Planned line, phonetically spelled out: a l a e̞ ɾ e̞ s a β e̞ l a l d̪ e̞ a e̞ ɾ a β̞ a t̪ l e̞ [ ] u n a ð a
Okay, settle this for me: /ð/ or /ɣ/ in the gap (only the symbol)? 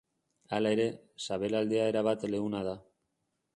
ɣ